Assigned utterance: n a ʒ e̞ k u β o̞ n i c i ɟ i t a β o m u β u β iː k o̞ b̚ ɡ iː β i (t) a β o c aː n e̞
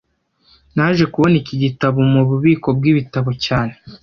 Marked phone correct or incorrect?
correct